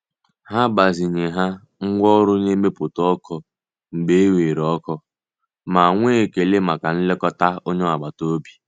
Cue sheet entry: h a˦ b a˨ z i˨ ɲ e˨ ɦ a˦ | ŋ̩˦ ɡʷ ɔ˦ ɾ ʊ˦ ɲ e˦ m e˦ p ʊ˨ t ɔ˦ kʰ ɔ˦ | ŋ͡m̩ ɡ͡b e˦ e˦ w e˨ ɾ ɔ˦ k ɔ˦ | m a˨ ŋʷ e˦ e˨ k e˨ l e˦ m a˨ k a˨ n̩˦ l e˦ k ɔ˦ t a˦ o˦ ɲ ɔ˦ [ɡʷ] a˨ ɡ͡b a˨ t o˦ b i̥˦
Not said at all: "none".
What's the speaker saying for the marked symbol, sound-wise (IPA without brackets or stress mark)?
none